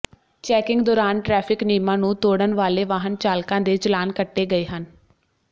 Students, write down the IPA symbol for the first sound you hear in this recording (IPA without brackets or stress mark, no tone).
t͡ʃ